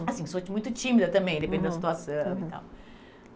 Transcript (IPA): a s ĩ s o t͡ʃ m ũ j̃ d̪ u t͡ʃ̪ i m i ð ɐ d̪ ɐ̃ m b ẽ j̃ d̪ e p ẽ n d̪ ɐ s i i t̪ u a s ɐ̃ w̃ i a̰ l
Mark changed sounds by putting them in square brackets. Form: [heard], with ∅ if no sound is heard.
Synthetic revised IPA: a s ĩ s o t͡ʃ m ũ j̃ [t̪] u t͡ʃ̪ i m i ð ɐ [t̪] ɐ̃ m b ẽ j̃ d̪ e p ẽ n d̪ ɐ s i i t̪ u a s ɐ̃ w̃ i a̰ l